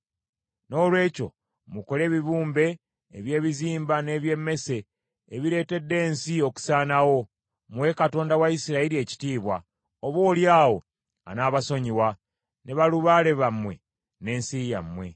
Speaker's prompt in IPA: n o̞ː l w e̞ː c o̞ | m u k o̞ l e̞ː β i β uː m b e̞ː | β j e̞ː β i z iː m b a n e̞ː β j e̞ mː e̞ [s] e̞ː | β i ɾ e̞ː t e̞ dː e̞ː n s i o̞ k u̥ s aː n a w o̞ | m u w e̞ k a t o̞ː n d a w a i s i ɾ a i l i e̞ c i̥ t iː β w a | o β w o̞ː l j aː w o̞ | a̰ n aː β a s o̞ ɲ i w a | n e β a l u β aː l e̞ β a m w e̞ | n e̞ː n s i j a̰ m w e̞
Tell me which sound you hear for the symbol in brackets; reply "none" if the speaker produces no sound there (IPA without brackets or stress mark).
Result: s